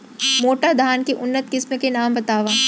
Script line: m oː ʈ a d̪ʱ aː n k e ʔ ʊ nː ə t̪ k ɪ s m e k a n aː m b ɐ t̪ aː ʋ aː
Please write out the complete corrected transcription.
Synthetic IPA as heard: m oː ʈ a d̪ʱ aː n k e ʔ ʊ nː ə t̪ k ɪ s m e k e n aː m b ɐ t̪ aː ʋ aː